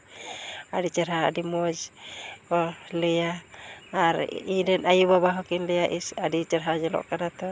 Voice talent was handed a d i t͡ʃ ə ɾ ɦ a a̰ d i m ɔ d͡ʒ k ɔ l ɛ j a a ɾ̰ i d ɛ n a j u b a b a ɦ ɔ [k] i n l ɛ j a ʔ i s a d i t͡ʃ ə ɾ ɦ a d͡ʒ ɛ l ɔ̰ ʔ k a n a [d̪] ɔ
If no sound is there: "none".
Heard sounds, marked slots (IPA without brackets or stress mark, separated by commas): k, t̪